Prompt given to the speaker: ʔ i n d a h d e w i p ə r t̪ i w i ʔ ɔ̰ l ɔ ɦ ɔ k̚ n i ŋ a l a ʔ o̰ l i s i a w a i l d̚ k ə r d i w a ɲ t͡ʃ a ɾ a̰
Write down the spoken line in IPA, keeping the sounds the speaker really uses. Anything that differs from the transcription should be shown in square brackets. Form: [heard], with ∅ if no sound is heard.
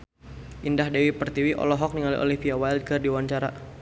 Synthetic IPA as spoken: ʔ i n d a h d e w i p ə r t̪ i w i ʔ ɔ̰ l ɔ ɦ ɔ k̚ n i ŋ a l [i] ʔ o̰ l i [f] i a w a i l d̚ k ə r d i w a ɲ t͡ʃ a ɾ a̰